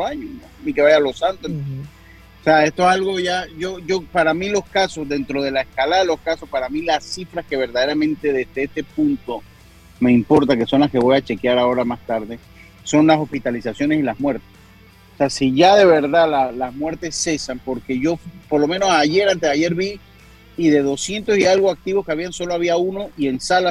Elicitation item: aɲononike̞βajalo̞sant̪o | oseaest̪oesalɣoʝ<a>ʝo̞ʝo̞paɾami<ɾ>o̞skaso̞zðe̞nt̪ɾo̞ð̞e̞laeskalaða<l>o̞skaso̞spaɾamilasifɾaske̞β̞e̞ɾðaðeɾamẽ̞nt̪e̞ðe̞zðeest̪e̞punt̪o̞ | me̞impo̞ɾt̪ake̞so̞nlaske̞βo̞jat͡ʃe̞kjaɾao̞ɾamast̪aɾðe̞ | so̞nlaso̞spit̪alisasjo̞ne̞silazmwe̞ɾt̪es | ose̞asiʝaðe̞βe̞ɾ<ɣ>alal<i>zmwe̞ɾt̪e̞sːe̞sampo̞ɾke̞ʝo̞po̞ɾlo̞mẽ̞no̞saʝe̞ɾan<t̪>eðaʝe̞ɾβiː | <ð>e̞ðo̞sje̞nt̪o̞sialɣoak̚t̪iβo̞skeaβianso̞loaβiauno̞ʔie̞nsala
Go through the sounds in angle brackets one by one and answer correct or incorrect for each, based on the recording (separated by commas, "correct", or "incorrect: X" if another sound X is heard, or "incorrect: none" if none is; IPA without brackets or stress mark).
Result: correct, incorrect: l, correct, incorrect: ð, incorrect: a, correct, correct